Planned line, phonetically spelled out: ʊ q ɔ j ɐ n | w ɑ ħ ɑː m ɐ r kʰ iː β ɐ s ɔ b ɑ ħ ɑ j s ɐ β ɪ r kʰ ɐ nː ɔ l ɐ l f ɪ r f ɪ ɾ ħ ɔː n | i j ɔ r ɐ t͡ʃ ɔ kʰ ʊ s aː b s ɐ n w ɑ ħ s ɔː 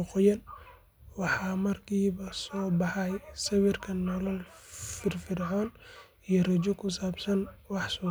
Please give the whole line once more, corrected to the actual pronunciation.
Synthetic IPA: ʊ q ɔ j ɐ n | w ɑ ħ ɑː m ɐ r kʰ iː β ɐ s ɔː b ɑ ħ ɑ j s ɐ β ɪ r kʰ ɐ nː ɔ l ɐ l f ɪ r f ɪ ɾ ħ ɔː n | i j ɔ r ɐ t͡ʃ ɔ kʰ ʊ s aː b s ɐ n w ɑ ħ s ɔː